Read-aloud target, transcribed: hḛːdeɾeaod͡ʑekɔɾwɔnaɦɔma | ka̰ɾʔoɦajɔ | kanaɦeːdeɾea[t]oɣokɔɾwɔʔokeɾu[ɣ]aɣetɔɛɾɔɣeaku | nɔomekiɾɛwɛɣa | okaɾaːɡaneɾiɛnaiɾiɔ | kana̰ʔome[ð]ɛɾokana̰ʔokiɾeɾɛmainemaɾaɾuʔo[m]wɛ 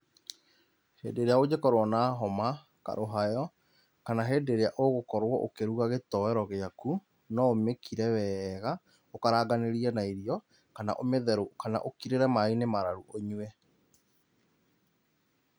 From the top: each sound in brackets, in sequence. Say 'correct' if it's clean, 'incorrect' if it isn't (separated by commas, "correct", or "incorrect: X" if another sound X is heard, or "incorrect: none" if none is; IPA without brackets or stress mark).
incorrect: ʔ, correct, correct, incorrect: ɲ